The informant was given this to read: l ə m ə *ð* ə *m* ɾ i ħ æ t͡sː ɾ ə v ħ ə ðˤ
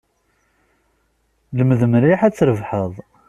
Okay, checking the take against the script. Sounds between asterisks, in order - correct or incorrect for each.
correct, correct

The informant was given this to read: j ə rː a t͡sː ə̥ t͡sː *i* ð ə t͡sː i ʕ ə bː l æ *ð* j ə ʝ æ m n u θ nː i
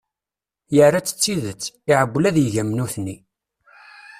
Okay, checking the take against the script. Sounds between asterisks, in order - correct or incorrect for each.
correct, correct

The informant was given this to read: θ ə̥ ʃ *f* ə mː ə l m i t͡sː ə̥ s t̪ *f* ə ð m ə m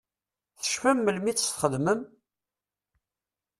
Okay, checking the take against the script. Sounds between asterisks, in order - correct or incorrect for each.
correct, incorrect: χ

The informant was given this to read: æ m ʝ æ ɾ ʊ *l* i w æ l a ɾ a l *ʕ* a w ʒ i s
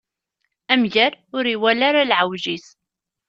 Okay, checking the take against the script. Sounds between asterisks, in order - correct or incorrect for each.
incorrect: ɾ, correct

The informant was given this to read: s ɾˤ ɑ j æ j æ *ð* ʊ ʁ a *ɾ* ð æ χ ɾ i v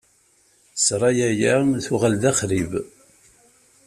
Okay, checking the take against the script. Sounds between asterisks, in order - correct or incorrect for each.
incorrect: θ, incorrect: l

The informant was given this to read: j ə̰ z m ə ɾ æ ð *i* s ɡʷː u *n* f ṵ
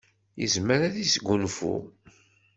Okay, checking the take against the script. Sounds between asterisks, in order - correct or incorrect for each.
correct, correct

